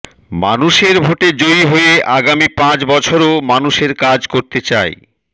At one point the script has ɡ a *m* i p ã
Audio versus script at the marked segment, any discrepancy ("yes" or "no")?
no